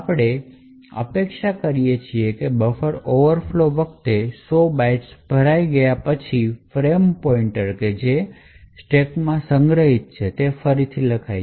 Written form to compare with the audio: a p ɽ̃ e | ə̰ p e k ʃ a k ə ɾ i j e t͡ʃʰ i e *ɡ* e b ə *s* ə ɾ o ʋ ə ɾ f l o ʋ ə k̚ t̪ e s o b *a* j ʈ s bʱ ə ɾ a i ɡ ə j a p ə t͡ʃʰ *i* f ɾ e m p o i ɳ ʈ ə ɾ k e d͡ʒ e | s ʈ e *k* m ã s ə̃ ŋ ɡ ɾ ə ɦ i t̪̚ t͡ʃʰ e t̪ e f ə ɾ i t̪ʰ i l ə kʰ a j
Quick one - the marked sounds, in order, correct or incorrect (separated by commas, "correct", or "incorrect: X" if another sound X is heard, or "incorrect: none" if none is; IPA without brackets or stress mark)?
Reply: incorrect: k, incorrect: f, correct, correct, correct